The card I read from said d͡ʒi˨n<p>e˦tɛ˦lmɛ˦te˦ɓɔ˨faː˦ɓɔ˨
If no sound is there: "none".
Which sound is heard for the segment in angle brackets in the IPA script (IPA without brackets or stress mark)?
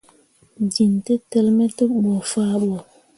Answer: t